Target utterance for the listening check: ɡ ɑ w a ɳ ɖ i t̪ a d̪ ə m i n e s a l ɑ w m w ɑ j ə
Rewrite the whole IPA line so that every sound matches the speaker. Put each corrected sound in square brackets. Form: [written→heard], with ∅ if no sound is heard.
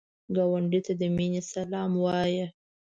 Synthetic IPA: ɡ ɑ w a ɳ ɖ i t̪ a d̪ ə m i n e s a l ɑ [w→∅] m w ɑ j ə